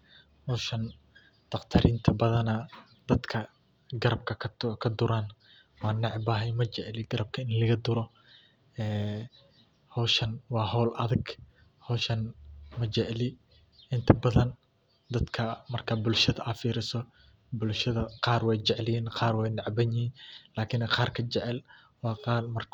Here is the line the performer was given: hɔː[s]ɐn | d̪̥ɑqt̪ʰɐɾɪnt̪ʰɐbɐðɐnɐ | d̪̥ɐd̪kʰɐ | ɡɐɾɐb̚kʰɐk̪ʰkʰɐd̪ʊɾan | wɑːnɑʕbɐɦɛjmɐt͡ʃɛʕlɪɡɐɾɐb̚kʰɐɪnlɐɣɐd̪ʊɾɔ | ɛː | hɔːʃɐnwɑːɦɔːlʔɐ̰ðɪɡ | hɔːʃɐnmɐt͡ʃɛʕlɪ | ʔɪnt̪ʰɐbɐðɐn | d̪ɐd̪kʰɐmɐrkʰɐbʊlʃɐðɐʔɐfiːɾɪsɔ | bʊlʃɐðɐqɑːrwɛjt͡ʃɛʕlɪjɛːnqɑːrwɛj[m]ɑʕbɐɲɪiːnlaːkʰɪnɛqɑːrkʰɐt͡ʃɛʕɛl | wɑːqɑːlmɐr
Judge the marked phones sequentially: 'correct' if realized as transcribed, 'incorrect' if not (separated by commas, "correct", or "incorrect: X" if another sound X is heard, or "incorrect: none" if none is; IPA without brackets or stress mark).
incorrect: ʃ, incorrect: n